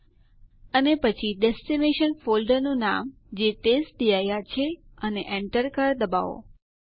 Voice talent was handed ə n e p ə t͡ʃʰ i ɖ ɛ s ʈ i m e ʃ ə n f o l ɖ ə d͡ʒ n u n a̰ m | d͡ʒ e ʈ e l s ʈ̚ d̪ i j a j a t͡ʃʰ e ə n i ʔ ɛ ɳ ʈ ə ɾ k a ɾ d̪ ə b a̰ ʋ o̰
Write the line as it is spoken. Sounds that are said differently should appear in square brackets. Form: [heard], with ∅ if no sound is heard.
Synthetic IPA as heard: ə n e p ə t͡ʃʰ i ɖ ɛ s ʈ i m e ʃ ə n f o l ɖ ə [∅] n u n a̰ m | d͡ʒ e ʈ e [∅] s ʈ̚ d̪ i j a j a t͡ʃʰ e ə n [e] ʔ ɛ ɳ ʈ ə ɾ k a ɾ d̪ ə b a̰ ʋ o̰